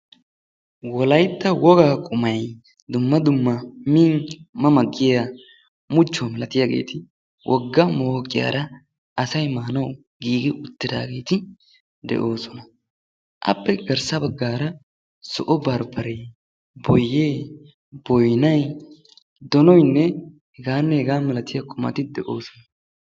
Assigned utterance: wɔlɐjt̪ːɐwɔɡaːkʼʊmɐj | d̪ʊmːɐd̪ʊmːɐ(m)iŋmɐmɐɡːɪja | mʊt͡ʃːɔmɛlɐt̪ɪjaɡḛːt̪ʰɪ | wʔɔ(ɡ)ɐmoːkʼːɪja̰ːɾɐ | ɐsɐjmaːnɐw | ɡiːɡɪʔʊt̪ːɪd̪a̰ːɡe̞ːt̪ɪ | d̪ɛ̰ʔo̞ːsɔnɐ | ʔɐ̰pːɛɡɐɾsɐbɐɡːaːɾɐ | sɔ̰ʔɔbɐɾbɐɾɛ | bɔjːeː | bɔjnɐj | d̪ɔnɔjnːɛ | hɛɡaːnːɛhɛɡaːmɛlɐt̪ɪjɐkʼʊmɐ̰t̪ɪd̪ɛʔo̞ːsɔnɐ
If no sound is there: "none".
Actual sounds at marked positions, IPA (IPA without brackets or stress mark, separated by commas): m, ɡː